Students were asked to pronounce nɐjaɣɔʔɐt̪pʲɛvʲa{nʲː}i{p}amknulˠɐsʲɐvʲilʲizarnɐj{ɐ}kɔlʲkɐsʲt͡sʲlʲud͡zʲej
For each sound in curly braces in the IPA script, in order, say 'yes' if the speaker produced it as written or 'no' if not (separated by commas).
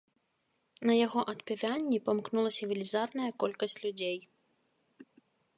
yes, yes, yes